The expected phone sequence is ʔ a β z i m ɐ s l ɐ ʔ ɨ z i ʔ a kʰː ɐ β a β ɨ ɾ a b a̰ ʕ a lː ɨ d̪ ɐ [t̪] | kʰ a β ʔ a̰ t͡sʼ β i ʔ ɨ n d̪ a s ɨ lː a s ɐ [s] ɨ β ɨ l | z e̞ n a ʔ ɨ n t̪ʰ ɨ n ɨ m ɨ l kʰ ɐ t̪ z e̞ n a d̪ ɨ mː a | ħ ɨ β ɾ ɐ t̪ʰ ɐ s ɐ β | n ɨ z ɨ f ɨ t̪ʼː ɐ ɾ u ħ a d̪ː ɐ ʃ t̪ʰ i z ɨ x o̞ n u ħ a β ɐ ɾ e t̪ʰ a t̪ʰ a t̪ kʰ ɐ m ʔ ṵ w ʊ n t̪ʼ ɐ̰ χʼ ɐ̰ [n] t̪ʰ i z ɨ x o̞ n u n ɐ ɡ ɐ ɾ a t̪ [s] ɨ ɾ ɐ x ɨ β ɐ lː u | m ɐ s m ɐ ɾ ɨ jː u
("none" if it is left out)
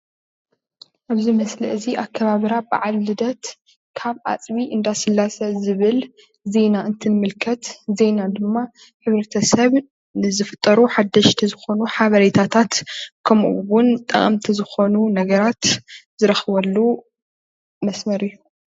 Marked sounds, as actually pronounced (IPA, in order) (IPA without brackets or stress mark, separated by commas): t̪, z, m, z